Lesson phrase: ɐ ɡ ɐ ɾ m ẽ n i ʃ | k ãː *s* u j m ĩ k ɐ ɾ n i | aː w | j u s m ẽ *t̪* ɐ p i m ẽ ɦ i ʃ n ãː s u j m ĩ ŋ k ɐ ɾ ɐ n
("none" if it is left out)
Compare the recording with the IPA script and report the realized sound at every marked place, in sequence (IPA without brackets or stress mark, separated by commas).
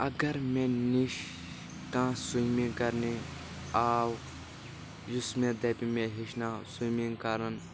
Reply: s, d̪